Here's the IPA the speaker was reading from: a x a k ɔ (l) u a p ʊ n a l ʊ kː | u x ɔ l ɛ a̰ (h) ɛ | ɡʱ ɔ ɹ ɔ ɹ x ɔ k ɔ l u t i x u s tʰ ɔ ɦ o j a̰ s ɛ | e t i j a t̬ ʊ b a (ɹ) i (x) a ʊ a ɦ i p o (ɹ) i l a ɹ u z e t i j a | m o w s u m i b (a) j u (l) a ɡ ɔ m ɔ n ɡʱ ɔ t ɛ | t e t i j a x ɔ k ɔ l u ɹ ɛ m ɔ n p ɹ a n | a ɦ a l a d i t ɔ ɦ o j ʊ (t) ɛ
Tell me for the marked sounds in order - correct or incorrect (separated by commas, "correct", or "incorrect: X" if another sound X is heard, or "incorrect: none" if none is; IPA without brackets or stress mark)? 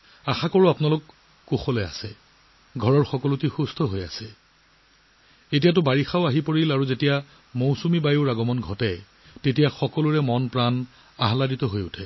incorrect: ɹ, incorrect: s, correct, correct, correct, correct, incorrect: ɹ, incorrect: tʰ